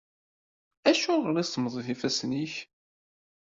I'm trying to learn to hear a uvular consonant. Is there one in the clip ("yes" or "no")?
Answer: yes